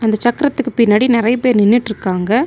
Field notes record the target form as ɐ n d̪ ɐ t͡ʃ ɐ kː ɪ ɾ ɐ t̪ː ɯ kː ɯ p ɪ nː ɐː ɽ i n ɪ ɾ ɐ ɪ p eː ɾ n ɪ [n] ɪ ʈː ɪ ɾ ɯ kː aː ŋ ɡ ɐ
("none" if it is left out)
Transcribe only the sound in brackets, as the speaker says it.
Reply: nː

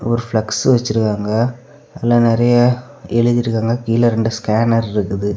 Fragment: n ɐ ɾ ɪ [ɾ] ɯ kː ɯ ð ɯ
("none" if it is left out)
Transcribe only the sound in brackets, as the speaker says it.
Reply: ɾ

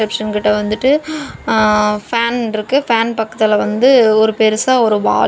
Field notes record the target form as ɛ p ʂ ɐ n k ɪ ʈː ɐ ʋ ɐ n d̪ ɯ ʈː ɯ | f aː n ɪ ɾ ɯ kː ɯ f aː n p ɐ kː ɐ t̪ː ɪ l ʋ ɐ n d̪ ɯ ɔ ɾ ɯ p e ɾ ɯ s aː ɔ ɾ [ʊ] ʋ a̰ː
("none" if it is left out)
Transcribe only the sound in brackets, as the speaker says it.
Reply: ɯ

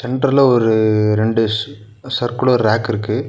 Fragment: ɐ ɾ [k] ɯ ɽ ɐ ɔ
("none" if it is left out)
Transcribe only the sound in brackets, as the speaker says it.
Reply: k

